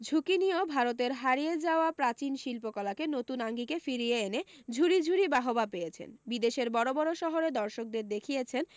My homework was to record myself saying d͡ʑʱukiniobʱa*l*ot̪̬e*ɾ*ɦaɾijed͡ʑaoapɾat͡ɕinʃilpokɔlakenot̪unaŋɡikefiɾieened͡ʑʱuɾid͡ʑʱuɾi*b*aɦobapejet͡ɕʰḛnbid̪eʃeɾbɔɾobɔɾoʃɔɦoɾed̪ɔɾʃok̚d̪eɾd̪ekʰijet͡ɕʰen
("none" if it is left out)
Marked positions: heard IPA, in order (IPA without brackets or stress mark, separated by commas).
ɾ, ɾ, b